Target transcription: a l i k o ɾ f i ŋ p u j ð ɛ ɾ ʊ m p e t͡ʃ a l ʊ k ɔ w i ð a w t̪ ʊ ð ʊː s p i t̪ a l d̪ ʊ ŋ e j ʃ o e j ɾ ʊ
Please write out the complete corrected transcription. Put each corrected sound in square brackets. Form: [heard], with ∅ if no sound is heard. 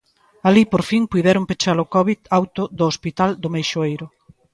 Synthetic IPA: a l i [p] o ɾ f i ŋ p u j ð ɛ ɾ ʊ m p e t͡ʃ a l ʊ k ɔ [β] i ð a w t̪ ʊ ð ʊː s p i t̪ a l d̪ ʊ [m] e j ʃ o e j ɾ ʊ